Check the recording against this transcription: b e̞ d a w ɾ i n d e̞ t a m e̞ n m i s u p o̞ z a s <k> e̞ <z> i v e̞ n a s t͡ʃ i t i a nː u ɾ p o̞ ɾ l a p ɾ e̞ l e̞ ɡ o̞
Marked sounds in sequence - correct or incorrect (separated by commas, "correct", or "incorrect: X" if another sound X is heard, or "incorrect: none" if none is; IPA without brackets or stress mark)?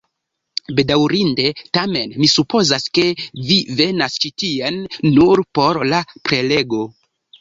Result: correct, incorrect: v